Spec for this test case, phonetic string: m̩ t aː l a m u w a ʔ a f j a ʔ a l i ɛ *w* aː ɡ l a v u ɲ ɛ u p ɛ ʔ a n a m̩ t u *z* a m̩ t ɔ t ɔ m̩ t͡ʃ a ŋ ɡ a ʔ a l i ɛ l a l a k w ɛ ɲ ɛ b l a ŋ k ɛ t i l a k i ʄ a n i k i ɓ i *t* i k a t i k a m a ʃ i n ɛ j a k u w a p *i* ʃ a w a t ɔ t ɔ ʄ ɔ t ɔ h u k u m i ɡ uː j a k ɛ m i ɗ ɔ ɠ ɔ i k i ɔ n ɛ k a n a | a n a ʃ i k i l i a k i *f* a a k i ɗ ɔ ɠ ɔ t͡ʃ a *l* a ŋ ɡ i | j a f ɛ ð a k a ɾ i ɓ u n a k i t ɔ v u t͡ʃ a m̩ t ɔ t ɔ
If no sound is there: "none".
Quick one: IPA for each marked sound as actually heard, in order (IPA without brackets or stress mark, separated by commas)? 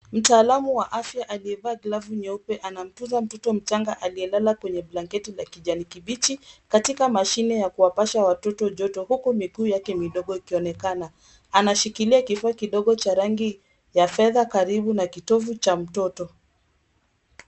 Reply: v, z, t͡ʃ, a, f, ɾ